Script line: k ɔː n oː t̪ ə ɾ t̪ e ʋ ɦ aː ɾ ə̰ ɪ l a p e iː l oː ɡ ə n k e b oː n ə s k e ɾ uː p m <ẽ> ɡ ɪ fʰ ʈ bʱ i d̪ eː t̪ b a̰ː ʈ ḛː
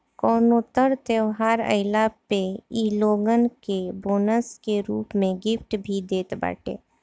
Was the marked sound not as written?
no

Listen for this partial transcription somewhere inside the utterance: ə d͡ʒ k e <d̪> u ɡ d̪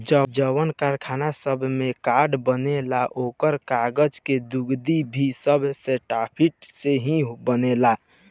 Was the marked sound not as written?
no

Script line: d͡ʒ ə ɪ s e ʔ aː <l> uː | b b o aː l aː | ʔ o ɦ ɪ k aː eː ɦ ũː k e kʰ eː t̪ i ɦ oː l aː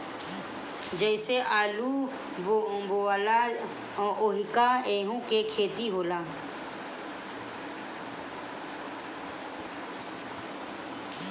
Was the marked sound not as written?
no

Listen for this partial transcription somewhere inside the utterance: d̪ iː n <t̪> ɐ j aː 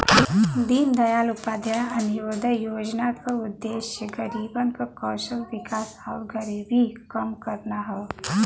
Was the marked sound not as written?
yes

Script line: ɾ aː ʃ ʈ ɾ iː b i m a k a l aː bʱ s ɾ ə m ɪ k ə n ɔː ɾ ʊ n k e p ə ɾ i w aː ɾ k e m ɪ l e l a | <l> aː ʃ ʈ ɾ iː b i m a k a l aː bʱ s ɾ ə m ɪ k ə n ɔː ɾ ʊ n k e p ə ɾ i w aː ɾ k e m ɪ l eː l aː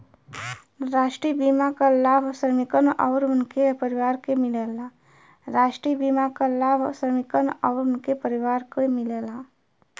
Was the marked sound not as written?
yes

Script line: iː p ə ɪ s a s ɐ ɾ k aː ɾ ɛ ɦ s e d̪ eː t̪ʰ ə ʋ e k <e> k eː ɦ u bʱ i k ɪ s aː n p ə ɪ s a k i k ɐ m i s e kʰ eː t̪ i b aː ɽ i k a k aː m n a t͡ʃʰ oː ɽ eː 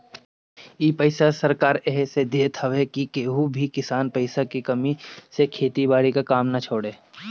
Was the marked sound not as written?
yes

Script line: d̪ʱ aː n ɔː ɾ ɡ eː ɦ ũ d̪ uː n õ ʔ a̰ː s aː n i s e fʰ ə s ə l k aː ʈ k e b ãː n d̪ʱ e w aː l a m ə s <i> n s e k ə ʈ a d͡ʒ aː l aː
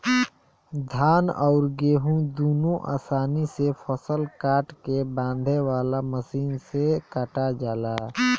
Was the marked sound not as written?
yes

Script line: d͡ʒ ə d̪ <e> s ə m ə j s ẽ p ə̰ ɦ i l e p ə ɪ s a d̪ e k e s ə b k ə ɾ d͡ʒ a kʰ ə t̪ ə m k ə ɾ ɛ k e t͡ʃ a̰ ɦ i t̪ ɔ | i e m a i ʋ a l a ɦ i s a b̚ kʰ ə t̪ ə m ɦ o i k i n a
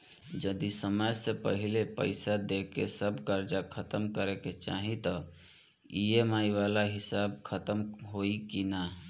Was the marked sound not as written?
yes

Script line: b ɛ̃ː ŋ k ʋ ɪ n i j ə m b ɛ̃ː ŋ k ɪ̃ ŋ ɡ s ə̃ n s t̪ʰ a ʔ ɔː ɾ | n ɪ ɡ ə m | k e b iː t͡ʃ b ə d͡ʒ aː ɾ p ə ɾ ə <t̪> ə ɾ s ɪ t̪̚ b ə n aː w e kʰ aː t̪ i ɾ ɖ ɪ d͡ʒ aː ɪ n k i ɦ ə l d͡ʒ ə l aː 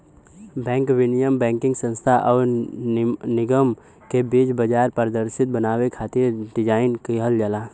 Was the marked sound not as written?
yes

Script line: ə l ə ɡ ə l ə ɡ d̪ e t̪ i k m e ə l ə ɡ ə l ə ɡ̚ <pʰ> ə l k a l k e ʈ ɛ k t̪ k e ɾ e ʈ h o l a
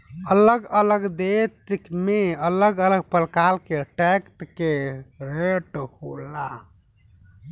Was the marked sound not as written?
yes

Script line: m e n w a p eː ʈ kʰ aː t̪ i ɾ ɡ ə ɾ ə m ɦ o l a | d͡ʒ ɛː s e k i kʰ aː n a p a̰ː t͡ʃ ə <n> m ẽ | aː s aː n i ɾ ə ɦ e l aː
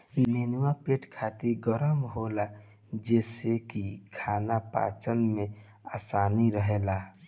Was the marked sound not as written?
no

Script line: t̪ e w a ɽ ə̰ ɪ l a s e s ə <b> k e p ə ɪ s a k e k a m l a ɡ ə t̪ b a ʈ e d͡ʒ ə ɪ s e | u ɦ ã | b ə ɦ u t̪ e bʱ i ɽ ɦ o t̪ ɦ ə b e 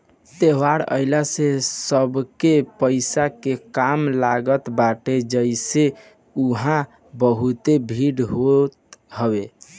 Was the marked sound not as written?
no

